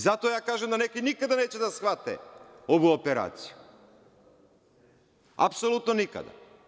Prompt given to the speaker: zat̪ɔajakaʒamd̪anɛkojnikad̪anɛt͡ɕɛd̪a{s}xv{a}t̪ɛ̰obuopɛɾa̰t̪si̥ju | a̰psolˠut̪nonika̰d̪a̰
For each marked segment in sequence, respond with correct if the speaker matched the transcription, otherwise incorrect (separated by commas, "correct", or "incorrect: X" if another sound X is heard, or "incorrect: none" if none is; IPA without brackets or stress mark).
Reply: correct, correct